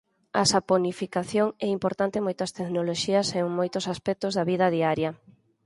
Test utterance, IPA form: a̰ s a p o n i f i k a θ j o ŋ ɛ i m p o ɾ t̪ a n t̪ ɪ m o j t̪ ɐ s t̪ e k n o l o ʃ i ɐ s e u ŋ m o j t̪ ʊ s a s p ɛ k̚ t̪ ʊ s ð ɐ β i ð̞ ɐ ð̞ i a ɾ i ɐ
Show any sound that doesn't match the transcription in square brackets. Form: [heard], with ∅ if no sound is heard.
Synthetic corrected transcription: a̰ s a p o n i f i k a θ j o ŋ ɛ i m p o ɾ t̪ a n t̪ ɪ m o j t̪ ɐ s t̪ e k n o l o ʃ i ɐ s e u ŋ m o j t̪ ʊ s a s p ɛ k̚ t̪ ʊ [z] ð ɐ β i ð̞ ɐ ð̞ i a ɾ [j] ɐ